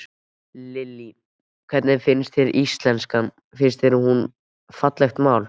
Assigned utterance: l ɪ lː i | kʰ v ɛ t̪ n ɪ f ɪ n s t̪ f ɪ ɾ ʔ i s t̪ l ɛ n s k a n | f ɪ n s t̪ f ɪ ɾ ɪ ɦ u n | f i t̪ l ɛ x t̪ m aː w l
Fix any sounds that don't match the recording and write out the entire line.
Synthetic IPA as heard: l ɪ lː i | kʰ v ɛ t̪ n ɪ f ɪ n s t̪ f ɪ ɾ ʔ i s t̪ l ɛ n s k a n | f ɪ n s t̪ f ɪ ɾ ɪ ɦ u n | f a t̪ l ɛ x t̪ m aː w l